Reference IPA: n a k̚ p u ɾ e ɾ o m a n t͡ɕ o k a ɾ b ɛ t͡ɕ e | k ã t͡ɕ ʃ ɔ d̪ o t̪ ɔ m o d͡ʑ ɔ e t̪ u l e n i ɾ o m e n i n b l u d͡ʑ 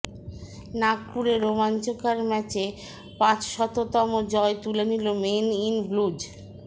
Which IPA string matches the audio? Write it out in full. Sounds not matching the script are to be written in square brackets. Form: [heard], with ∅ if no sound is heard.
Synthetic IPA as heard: n a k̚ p u ɾ e ɾ o m a n t͡ɕ o k a ɾ [m] ɛ t͡ɕ e | [p] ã t͡ɕ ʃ ɔ [t̪] o t̪ ɔ m o d͡ʑ ɔ e t̪ u l e n i [l] o m e n i n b l u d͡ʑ